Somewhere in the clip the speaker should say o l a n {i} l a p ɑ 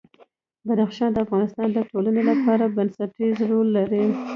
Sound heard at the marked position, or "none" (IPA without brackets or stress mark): e